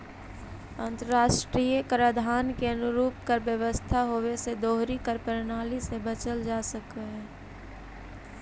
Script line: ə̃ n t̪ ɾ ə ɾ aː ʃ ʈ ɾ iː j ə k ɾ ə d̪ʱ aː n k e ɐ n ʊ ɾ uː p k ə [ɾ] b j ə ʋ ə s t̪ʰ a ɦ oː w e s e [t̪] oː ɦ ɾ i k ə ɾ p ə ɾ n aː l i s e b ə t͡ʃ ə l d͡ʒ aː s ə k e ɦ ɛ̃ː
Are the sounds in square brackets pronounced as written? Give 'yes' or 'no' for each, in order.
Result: yes, no

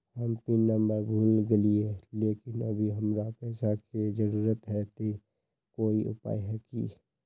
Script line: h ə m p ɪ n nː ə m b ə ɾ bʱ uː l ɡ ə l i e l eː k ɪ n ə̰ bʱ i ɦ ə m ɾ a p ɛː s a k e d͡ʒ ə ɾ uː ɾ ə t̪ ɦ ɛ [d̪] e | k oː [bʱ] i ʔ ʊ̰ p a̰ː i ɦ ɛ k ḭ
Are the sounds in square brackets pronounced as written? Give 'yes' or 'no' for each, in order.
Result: no, no

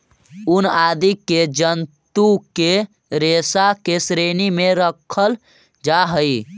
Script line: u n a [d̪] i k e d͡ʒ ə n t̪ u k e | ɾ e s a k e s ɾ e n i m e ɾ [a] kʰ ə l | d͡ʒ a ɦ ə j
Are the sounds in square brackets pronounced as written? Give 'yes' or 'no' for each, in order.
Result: yes, no

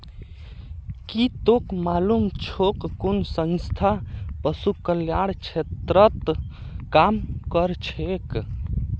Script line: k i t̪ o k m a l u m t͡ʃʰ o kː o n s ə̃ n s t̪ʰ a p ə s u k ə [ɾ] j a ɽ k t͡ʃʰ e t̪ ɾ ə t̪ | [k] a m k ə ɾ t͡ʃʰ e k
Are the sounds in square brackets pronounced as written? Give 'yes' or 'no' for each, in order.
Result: no, yes

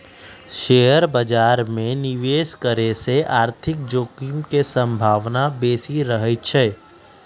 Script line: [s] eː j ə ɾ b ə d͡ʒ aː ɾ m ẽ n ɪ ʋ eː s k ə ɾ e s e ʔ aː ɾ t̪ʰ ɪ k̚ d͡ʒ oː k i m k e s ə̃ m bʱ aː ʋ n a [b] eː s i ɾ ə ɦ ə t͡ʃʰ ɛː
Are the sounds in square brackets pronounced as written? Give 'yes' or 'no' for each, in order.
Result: no, yes

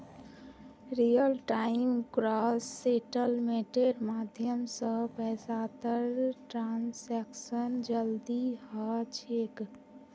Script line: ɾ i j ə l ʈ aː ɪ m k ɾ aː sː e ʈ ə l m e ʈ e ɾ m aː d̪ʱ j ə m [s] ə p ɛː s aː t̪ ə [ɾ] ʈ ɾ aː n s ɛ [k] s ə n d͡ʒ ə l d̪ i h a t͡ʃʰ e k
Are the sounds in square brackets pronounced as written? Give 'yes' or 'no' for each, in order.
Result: yes, yes, yes

